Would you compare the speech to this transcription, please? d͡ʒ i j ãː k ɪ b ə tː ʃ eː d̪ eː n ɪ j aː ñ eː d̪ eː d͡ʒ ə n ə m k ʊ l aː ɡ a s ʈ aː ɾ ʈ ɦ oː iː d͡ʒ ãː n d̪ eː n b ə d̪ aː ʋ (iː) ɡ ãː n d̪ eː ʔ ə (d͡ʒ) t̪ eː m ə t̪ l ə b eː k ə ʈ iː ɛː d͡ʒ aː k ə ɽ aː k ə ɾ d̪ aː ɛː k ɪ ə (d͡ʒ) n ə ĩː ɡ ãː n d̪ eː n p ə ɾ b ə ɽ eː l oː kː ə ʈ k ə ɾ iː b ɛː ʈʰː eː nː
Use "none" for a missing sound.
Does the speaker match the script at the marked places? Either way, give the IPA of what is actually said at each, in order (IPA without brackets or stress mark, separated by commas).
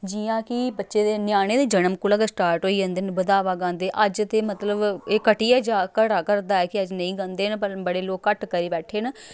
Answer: aː, d͡ʒ, d͡ʒ